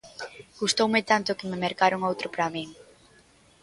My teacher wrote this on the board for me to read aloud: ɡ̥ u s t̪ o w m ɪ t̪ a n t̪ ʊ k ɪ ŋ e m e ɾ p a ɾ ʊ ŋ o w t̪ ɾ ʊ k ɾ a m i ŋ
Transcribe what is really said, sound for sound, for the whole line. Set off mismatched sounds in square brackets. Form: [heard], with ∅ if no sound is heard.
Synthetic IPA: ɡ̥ u s t̪ o w m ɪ t̪ a n t̪ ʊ k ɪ [m] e m e ɾ [k] a ɾ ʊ ŋ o w t̪ ɾ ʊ [p] ɾ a m i ŋ